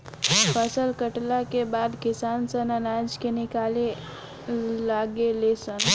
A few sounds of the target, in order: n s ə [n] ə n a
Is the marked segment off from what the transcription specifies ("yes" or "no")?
no